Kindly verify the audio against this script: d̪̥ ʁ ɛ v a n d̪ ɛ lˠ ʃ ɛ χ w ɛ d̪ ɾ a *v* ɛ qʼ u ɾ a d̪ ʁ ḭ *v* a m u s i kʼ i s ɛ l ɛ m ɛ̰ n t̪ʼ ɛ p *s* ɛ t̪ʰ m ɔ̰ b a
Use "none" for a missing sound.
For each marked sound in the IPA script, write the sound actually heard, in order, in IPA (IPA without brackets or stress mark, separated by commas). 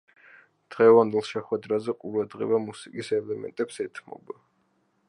z, v, s